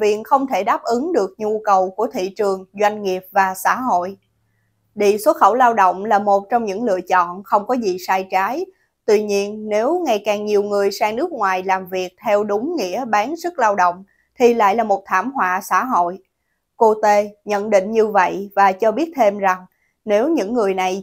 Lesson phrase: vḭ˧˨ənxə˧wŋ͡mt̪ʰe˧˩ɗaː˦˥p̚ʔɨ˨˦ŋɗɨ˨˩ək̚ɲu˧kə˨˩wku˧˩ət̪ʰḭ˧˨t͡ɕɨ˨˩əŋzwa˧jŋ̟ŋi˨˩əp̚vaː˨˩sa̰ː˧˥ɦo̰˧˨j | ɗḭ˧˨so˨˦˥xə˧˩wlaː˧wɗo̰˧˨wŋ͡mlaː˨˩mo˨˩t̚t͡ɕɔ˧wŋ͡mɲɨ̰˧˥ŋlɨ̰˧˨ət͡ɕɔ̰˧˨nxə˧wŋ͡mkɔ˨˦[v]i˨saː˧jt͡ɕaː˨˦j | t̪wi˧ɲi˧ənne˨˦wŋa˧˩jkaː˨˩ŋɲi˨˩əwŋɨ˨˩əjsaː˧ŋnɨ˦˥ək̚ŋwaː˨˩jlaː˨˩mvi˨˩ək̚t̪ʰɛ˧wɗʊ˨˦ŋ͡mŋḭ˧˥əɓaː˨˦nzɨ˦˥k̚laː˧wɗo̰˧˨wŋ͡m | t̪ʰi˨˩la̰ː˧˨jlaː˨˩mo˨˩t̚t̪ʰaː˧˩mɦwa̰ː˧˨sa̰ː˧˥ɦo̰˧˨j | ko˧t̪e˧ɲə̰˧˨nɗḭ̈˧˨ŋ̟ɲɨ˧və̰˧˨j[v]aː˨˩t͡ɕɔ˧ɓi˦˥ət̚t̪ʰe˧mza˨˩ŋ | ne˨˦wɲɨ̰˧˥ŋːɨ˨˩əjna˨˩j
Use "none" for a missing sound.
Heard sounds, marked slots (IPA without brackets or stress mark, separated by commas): z, v